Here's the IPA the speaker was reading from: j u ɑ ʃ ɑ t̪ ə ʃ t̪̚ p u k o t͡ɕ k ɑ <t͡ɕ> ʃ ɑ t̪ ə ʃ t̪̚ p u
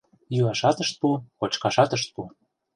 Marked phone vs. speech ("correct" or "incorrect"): incorrect